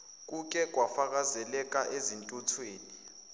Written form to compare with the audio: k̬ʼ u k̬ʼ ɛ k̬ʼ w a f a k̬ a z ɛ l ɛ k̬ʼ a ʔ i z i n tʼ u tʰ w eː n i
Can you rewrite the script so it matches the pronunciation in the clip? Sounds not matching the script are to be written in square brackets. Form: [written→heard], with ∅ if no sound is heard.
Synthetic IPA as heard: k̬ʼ u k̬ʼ ɛ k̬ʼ w a f a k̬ a z ɛ l ɛ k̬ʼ a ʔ [i→e] z i n tʼ u tʰ w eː n i

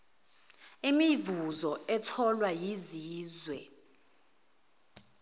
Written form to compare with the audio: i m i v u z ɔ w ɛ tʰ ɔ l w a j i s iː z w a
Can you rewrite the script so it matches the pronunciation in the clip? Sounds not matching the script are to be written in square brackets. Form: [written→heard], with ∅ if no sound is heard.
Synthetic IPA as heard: i m i v u z ɔ [w→∅] ɛ tʰ ɔ l w a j i [s→z] iː z w [a→ɛ]

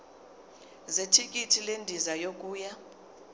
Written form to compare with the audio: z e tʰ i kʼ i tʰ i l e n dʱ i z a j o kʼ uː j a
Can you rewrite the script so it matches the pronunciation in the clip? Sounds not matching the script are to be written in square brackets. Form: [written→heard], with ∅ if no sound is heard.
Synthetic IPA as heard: z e tʰ i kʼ i tʰ i l e n dʱ i z a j o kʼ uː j a

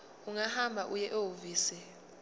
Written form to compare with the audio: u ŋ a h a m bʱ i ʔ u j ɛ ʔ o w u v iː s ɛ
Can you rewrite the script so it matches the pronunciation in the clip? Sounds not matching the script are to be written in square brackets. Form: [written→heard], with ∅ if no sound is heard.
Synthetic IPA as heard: u ŋ a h a m bʱ [i→a] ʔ u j ɛ ʔ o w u v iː s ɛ

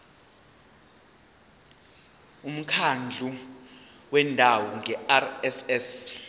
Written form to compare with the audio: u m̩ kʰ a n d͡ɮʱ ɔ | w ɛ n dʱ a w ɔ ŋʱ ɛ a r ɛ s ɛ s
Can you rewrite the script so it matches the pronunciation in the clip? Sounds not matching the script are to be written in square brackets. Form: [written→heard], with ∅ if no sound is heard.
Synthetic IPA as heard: u m̩ kʰ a n d͡ɮʱ [ɔ→u] | w ɛ n dʱ a w ɔ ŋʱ ɛ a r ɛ s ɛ s

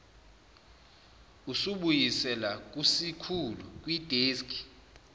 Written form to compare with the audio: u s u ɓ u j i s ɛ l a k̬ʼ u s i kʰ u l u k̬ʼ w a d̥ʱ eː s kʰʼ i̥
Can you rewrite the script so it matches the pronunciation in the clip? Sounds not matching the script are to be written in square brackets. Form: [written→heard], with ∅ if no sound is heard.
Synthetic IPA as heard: u s u ɓ u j i s ɛ l a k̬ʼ u s i kʰ u l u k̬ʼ w [a→i] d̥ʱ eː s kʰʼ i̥

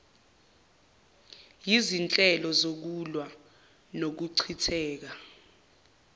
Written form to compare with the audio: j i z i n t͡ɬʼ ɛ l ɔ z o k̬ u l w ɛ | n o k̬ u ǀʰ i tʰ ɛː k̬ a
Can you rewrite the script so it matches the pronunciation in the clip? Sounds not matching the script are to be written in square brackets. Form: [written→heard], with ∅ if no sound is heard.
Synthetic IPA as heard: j i z i n t͡ɬʼ ɛ l ɔ z o k̬ u l w [ɛ→a] | n o k̬ u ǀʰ i tʰ ɛː k̬ a

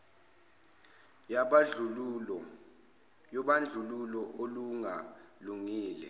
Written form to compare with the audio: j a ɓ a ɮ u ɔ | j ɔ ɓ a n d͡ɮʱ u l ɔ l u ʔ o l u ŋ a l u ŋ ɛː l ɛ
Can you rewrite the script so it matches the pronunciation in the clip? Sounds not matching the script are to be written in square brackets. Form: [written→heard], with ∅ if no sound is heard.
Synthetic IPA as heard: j a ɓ a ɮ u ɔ | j ɔ ɓ a n d͡ɮʱ u l [ɔ→u] l [u→ɔ] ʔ o l u ŋ a l u ŋ [ɛː→iː] l ɛ

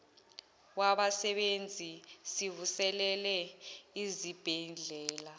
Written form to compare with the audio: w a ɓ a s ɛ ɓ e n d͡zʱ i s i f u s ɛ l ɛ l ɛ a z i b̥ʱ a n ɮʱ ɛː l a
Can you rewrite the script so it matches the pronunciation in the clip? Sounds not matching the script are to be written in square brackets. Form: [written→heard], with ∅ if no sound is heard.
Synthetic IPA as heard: w a ɓ a s ɛ ɓ e n d͡zʱ i s i [f→v] u s ɛ l ɛ l ɛ [a→i] z i b̥ʱ [a→ɛ] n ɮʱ ɛː l a

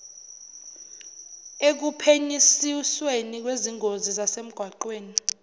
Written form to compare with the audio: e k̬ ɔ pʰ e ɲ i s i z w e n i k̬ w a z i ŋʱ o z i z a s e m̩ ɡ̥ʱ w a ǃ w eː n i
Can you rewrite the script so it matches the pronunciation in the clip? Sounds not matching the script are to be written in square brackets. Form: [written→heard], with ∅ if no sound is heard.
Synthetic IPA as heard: e k̬ [ɔ→u] pʰ e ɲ i s i [z→s] w e n i k̬ w [a→e] z i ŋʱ o z i z a s e m̩ ɡ̥ʱ w a ǃ w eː n i

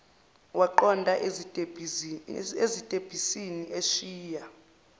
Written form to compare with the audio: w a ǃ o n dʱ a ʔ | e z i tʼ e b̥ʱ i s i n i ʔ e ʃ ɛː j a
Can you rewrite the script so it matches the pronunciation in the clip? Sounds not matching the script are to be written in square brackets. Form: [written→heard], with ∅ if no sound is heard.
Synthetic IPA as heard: w a ǃ [o→ɔ] n dʱ a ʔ | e z i tʼ e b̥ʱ i s i n i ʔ e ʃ [ɛː→iː] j a

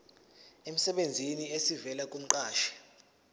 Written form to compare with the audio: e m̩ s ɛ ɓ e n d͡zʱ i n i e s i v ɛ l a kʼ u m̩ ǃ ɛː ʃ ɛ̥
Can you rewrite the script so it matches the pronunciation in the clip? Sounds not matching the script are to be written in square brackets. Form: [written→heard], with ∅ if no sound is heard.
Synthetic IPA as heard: e m̩ s ɛ ɓ e n d͡zʱ i n i e s i v ɛ l a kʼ u m̩ ǃ [ɛː→aː] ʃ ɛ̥

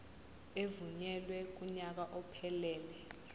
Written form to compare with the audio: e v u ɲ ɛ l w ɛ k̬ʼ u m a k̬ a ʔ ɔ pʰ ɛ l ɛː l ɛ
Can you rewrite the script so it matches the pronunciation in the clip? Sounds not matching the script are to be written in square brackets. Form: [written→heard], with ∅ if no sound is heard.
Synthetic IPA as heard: e v u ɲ ɛ l w ɛ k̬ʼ u [m→ɲ] a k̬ a ʔ ɔ pʰ ɛ l ɛː l ɛ

